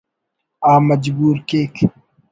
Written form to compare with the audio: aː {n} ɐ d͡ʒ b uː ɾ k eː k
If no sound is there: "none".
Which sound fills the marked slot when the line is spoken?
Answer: m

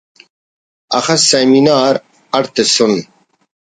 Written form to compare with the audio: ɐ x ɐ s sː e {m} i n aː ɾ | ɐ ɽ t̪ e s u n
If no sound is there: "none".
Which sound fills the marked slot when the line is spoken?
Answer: m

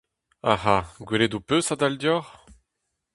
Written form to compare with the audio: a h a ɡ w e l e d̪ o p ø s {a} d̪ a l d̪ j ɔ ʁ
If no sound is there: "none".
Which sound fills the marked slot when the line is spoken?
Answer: a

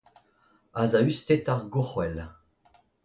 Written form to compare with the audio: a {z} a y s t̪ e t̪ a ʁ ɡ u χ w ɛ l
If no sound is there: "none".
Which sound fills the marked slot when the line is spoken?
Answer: z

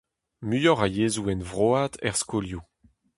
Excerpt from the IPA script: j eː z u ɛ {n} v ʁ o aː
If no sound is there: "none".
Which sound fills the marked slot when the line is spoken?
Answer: n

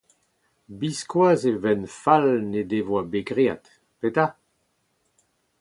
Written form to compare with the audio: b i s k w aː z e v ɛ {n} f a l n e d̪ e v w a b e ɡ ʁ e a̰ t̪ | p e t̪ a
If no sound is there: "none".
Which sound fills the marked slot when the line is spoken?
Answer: n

